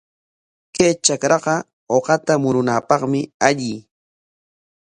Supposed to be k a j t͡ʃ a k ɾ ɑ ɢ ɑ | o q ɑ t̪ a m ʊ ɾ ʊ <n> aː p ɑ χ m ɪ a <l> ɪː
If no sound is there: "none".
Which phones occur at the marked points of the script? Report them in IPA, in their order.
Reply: n, ʎ

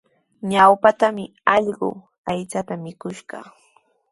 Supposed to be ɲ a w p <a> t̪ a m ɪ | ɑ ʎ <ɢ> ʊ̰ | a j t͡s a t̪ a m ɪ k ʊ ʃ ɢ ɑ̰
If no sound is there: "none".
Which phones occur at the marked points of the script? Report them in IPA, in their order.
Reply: a, ɢ

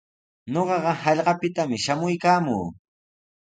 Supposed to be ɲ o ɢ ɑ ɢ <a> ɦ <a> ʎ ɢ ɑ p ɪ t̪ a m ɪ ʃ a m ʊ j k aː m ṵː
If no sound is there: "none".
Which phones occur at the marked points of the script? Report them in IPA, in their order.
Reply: ɑ, ɑ

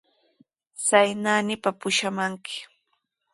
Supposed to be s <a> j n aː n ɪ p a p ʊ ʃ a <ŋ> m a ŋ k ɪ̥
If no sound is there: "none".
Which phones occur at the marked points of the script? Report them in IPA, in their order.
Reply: a, none

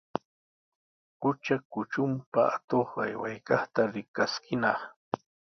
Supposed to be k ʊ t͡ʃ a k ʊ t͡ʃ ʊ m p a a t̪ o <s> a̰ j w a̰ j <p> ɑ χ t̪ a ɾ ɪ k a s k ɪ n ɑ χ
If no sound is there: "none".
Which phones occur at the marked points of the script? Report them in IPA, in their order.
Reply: χ, k

